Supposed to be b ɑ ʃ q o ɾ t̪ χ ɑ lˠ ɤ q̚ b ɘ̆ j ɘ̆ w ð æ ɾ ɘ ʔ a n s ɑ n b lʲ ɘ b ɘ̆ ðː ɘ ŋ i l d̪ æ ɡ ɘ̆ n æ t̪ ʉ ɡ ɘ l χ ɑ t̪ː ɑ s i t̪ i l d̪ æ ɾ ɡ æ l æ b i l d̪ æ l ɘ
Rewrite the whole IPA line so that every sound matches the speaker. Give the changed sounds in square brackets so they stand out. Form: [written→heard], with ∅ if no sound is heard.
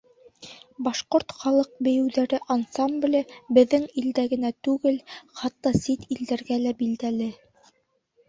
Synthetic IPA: b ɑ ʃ q o ɾ t̪ χ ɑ lˠ ɤ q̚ b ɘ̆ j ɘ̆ w ð æ ɾ ɘ ʔ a n s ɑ [n→m] b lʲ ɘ b ɘ̆ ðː ɘ ŋ i l d̪ æ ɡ ɘ̆ n æ t̪ ʉ ɡ ɘ l χ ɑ t̪ː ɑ s i t̪ i l d̪ æ ɾ ɡ æ l æ b i l d̪ æ l ɘ